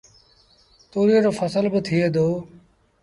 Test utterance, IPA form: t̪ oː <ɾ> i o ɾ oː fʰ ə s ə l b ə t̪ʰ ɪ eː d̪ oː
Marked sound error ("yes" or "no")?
no